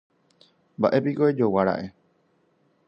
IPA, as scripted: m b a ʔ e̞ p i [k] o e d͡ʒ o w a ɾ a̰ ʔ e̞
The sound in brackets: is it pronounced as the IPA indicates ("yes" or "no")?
yes